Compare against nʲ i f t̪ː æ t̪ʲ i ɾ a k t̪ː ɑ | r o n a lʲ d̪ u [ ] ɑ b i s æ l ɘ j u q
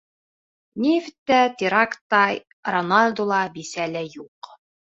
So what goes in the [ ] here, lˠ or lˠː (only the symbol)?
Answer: lˠ